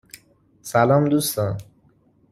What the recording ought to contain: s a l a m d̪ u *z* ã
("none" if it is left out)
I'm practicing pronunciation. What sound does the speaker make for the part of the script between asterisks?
s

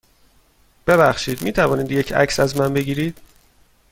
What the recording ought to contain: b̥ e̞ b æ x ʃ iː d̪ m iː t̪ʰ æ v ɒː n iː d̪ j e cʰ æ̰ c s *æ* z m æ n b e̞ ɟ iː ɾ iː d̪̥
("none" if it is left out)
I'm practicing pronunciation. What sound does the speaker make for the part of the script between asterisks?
æ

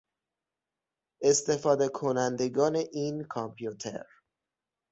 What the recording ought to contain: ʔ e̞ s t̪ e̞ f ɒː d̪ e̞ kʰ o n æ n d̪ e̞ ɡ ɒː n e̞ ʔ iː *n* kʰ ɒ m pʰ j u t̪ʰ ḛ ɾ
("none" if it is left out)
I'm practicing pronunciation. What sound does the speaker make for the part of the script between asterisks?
n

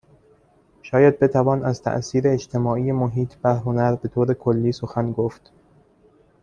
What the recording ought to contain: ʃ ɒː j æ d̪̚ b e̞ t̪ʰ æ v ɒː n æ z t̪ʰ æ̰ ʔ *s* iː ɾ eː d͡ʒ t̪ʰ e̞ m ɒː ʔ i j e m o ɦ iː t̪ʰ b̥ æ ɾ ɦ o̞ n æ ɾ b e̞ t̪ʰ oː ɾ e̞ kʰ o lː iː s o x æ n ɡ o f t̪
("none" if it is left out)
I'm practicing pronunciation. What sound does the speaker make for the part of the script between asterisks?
s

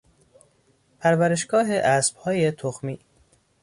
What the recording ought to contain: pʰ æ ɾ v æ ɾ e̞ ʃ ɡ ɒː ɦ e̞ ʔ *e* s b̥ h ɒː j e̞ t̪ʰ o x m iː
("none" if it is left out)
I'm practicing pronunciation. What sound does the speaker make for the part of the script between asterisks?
æ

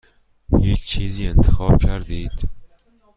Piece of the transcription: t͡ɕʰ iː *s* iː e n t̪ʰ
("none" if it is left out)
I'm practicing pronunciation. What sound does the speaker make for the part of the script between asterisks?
z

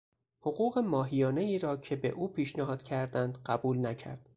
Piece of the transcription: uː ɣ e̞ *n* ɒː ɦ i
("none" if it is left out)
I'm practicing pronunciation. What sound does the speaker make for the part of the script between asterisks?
m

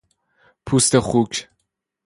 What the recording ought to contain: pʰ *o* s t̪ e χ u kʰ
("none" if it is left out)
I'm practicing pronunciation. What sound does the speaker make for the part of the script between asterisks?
u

